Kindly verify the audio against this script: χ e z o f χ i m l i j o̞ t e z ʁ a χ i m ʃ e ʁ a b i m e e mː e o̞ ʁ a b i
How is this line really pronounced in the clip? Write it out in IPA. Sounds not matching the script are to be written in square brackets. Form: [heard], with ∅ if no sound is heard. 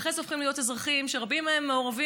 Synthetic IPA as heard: χ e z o f χ i m l i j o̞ t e z ʁ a χ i m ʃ e ʁ a b i m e e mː e o̞ ʁ a [v] i

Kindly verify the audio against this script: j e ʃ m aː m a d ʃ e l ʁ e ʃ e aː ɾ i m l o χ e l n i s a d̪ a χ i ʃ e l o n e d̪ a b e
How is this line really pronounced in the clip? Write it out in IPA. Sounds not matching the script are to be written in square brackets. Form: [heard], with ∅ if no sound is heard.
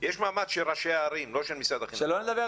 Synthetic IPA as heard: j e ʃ m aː m a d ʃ e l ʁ [a] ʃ e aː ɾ i m l o [ʃ] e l [m] i s a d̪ a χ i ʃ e l o n e d̪ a b e

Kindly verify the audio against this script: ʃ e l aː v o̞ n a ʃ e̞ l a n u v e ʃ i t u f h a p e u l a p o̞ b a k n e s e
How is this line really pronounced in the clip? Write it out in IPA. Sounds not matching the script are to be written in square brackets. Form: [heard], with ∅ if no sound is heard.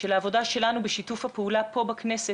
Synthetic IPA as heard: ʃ e l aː v o̞ [d] a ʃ e̞ l a n u [b] e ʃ i t u f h a p e u l a p o̞ b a k n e s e

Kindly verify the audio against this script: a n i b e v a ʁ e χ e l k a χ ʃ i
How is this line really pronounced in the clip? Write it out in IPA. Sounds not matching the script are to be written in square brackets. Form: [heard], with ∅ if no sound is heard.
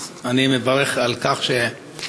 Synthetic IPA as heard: a n i [m] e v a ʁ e χ [a] l k a χ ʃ [e]

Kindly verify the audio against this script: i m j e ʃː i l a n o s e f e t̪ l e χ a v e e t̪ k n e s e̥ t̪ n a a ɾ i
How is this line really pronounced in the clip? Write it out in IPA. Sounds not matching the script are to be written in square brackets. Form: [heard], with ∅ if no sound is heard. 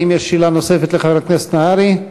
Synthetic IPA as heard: i m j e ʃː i l a n o s e f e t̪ l e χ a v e [a] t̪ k n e s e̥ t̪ n a a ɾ i

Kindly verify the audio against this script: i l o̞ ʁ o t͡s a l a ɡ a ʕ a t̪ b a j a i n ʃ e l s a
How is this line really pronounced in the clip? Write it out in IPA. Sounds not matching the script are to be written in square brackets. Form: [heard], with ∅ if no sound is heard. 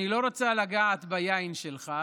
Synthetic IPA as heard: i l o̞ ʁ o t͡s a l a ɡ a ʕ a t̪ b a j a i n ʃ e l [χ] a

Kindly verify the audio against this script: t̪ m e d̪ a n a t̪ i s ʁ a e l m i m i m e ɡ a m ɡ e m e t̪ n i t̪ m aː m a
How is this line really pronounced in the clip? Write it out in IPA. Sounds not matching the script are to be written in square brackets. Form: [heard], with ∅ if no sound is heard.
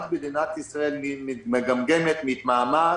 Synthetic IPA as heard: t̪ [b] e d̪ [i] n a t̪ i s ʁ a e l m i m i m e ɡ a m ɡ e m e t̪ [m] i t̪ m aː m a

